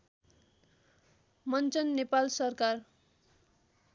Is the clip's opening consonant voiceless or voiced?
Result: voiced